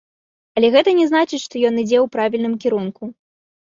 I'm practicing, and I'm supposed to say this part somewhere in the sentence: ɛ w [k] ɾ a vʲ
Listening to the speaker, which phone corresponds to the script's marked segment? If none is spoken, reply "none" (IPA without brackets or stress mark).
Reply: p